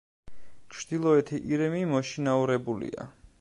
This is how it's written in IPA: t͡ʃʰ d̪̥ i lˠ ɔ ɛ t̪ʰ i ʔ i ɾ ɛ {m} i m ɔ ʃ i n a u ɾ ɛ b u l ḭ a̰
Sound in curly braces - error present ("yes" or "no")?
no